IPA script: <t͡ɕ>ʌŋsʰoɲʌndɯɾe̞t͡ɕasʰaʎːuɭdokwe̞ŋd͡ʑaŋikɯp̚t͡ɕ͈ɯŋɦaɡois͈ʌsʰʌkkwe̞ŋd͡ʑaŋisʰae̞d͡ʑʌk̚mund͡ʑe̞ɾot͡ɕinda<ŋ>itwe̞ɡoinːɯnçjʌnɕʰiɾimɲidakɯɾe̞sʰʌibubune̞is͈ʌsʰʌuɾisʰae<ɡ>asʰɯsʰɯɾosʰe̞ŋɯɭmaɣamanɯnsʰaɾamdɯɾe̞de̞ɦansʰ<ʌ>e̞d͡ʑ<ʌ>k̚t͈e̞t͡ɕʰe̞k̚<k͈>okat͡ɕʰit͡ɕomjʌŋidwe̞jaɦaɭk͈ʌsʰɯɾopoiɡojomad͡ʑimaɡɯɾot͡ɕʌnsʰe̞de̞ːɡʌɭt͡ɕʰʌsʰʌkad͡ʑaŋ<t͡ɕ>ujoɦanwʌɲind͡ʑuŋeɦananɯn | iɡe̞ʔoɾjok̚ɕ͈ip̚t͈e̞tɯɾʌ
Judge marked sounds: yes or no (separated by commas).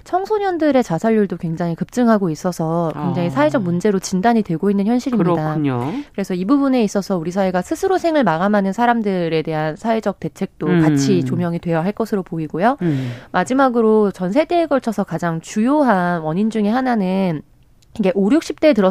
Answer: no, no, yes, no, yes, no, yes